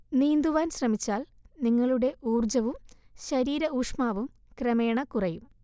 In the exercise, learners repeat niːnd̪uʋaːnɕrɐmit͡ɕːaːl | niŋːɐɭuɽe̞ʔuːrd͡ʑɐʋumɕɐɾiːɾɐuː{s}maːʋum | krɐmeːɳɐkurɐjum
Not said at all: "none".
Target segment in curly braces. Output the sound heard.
ʂ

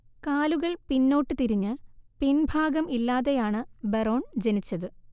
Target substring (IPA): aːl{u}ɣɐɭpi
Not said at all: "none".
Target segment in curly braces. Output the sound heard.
u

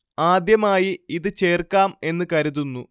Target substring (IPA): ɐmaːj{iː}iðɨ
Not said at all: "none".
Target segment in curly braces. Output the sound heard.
i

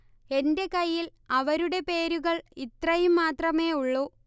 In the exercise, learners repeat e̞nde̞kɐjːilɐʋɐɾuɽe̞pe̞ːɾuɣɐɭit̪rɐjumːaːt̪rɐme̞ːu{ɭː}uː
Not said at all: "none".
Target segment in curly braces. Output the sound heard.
ɭː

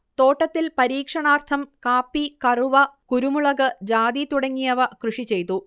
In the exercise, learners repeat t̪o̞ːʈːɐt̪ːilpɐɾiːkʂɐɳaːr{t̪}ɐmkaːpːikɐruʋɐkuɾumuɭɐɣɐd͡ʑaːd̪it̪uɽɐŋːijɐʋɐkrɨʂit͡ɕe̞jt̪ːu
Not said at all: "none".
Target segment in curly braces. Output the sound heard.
t̪ʰ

